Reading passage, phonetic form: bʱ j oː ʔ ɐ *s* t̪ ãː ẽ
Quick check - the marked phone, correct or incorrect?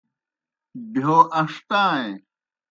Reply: incorrect: ʂ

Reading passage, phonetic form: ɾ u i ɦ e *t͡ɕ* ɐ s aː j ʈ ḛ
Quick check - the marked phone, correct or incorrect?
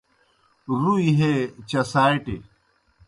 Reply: correct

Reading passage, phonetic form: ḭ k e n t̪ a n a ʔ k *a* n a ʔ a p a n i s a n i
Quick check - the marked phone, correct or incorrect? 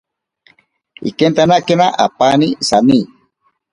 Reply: incorrect: e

